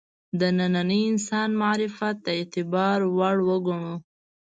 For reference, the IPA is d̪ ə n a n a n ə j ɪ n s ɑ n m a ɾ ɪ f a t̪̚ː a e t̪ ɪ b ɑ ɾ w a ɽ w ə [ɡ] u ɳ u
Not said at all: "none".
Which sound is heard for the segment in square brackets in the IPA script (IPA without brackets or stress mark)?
ɡ